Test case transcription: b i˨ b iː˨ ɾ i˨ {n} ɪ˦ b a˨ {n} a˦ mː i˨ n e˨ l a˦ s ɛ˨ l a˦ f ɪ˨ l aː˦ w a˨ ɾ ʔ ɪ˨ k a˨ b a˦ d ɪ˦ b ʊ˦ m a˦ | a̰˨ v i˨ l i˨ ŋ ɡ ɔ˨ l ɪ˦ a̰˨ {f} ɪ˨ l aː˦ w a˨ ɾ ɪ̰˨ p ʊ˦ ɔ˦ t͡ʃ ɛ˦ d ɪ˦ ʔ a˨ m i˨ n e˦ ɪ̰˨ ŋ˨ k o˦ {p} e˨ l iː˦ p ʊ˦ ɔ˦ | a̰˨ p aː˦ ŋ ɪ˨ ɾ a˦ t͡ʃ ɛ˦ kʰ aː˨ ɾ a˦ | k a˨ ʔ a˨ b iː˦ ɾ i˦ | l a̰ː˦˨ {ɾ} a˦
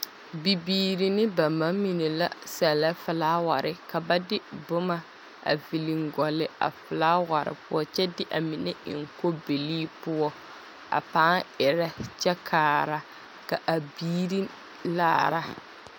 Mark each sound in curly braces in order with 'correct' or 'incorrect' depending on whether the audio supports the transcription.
correct, incorrect, correct, incorrect, correct

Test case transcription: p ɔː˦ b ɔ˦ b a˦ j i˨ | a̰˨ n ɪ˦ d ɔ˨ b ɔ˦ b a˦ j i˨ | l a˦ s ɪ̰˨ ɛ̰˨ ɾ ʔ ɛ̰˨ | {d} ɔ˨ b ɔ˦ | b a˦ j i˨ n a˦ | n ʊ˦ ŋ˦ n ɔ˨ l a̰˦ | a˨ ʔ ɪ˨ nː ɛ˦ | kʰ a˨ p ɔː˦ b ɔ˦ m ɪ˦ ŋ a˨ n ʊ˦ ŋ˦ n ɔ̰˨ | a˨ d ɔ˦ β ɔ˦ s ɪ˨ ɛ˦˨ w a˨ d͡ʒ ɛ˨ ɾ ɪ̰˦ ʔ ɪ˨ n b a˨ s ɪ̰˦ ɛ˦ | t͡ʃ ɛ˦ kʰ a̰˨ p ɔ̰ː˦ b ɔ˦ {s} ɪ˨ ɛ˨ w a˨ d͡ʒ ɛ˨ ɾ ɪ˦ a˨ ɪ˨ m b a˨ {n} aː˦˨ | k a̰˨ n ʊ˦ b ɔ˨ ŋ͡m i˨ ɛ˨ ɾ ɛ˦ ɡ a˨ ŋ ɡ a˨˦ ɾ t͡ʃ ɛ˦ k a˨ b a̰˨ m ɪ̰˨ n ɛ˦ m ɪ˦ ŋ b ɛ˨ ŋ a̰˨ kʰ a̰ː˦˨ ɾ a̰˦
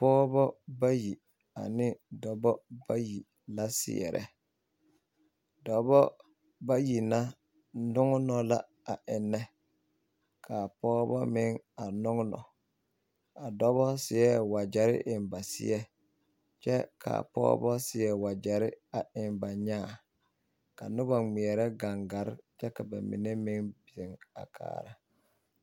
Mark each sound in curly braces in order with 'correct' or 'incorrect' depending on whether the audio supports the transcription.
correct, correct, incorrect

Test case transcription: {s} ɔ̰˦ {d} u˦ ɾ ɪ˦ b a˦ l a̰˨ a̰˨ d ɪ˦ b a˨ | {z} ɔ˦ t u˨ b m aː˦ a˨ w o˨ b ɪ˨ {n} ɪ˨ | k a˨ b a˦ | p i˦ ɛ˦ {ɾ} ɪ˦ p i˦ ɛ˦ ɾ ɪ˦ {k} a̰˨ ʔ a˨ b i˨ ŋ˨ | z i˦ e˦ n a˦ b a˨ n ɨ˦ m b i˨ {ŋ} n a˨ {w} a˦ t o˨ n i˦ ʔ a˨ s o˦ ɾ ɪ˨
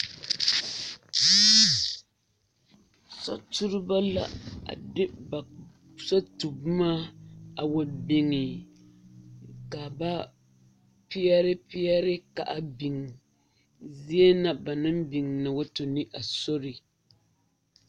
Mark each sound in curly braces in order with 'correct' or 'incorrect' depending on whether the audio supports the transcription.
correct, incorrect, incorrect, incorrect, correct, correct, correct, correct

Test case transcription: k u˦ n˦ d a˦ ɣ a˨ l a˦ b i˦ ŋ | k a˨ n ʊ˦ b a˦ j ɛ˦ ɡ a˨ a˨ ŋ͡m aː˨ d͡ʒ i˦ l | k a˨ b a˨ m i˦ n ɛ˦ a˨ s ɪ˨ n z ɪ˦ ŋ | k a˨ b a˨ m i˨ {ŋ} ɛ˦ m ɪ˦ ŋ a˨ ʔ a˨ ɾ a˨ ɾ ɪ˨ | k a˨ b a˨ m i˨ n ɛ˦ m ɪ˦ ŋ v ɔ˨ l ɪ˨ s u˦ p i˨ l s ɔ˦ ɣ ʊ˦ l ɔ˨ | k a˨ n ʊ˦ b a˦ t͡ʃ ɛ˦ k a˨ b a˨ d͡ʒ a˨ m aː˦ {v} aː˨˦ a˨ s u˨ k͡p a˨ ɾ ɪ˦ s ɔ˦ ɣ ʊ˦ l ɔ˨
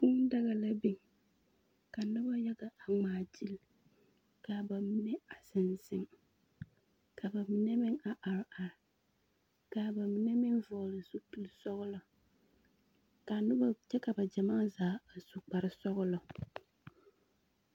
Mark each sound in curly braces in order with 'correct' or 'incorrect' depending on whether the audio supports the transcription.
incorrect, incorrect

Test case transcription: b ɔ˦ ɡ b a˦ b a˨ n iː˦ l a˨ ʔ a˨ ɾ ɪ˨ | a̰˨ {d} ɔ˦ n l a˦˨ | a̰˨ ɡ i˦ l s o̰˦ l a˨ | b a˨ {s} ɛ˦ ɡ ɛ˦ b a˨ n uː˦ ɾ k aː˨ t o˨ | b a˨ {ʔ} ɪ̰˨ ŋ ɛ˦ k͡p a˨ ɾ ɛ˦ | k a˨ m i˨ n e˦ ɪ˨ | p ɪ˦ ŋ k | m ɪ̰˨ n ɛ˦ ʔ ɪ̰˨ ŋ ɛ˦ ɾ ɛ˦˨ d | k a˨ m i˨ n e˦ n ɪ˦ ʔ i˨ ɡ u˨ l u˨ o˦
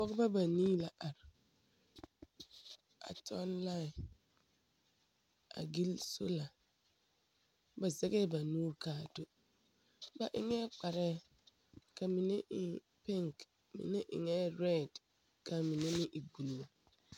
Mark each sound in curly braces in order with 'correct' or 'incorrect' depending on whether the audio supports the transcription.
incorrect, incorrect, correct

